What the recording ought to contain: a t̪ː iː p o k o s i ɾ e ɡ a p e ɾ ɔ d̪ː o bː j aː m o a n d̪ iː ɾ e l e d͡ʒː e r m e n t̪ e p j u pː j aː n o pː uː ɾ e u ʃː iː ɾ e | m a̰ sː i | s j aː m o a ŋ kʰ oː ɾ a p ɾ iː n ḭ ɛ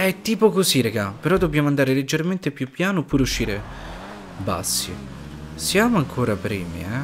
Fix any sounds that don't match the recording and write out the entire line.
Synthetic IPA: ɛ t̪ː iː p o k o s i ɾ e ɡ a p e ɾ ɔ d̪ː o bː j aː m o a n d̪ aː ɾ e l e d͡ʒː e r m e n t̪ e p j u pː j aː n o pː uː ɾ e u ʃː iː ɾ e | b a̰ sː i | s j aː m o a ŋ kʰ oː ɾ a p ɾ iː m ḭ ɛ